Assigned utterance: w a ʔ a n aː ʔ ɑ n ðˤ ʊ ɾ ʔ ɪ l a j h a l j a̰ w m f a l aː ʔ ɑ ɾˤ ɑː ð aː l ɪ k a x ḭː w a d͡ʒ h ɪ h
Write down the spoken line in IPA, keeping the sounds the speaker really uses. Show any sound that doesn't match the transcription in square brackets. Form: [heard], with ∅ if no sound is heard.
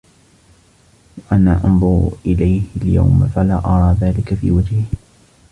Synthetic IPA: w a ʔ a n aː ʔ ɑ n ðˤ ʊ ɾ ʔ ɪ l a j h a l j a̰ w m f a l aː ʔ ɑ ɾˤ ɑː ð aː l ɪ k a [f] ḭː w a d͡ʒ h ɪ h